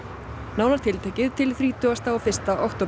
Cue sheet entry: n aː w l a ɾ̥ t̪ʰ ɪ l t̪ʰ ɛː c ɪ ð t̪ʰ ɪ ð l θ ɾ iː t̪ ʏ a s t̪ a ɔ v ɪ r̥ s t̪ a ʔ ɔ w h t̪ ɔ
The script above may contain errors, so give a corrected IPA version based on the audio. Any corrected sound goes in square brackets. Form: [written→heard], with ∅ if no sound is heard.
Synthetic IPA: n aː w l a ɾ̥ t̪ʰ ɪ l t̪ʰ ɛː c ɪ ð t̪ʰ ɪ [ð→∅] l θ ɾ iː t̪ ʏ a s t̪ a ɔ [v→f] ɪ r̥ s t̪ a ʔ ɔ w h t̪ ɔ

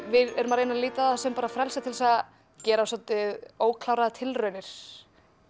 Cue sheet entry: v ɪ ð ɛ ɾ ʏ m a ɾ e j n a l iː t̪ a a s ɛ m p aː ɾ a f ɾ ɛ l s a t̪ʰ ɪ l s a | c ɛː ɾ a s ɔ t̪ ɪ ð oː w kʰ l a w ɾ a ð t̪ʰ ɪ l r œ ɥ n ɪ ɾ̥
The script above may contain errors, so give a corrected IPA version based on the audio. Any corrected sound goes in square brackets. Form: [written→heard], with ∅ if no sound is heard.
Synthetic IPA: v ɪ ð ɛ ɾ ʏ m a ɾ e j n a l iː t̪ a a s ɛ m p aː ɾ a f ɾ ɛ l s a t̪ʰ ɪ l s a | c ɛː ɾ a s ɔ t̪ ɪ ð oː w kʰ l a w ɾ a ð t̪ʰ ɪ l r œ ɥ n ɪ ɾ̥

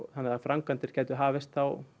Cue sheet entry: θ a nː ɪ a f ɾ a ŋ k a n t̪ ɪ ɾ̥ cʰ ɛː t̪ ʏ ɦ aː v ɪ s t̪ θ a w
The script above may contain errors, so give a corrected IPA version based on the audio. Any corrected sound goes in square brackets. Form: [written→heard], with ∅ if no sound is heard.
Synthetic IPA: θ a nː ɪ a f ɾ a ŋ k a n t̪ ɪ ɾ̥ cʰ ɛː t̪ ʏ ɦ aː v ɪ s t̪ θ a w

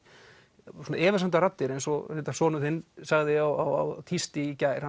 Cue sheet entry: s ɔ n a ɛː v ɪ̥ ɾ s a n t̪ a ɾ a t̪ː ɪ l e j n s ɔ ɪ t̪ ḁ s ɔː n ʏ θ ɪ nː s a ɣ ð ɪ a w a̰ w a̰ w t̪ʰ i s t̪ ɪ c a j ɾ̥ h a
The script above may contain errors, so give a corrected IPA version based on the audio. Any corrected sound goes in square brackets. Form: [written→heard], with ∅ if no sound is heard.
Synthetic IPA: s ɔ n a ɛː v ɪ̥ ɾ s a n t̪ a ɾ a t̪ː ɪ [l→ɾ] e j n s ɔ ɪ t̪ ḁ s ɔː n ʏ θ ɪ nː s a ɣ ð ɪ a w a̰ w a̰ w t̪ʰ i s t̪ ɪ c a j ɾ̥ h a

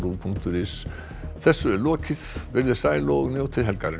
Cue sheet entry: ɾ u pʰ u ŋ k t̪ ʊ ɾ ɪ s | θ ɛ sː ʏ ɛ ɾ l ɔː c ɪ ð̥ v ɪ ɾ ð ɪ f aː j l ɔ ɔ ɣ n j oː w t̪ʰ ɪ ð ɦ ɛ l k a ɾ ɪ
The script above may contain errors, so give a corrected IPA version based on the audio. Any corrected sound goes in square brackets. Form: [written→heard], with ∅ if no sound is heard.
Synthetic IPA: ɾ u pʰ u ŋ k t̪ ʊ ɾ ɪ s | θ ɛ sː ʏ ɛ ɾ l ɔː c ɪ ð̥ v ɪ ɾ ð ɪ [f→s] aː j l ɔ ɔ ɣ n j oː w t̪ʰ ɪ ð ɦ ɛ l k a ɾ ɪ

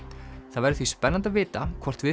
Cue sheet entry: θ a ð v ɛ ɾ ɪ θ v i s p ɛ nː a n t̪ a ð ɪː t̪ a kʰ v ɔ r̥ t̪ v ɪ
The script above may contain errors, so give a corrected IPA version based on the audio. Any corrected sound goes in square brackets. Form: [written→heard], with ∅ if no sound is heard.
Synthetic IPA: θ a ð v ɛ ɾ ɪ θ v i s p ɛ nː a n t̪ a [ð→v] ɪː t̪ a kʰ v ɔ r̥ t̪ v ɪ

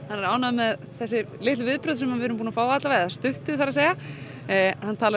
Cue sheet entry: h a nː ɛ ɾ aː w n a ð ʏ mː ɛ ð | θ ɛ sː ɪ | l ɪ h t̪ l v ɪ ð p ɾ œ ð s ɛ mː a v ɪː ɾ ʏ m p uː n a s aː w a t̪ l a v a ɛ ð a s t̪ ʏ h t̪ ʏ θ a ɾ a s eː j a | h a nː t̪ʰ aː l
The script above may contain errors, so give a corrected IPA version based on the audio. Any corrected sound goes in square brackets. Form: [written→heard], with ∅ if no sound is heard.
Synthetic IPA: h a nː ɛ ɾ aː w n a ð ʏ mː ɛ ð | θ ɛ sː ɪ | l ɪ h t̪ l v ɪ ð p ɾ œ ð s ɛ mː a v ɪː ɾ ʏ m p uː n a [s→f] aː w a t̪ l a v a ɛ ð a s t̪ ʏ h t̪ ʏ θ a ɾ a s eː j a | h a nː t̪ʰ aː l

